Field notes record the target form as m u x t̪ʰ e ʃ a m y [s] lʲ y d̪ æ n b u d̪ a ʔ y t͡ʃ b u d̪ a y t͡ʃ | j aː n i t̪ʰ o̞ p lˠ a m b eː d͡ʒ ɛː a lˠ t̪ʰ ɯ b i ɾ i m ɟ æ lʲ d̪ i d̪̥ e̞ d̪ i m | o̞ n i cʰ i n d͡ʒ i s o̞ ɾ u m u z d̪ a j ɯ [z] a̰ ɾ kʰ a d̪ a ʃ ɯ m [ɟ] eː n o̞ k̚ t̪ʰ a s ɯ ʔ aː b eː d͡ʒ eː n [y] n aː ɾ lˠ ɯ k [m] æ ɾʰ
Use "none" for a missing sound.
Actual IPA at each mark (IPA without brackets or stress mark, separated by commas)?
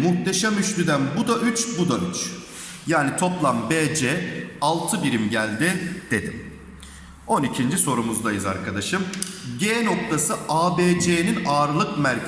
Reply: ʃ, z, ɟ, i, m